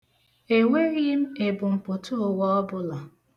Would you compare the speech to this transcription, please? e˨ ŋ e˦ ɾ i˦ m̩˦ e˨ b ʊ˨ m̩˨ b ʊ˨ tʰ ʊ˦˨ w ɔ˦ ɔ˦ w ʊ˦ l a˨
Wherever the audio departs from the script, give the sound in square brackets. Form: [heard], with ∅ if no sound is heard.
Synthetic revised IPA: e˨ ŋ e˦ ɾ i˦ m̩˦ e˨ b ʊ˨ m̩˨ [p] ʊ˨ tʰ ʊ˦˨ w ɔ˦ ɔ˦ [b] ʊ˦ l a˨